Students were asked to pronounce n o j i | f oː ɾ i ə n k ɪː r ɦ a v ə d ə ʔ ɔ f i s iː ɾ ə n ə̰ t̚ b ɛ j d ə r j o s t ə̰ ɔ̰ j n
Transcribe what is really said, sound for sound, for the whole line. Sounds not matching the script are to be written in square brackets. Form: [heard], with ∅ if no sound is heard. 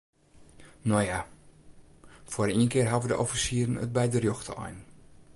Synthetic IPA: n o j [a] | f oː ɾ i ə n k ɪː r ɦ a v ə d ə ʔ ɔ f i s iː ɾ ə n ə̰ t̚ b ɛ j d ə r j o [x] t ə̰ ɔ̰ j n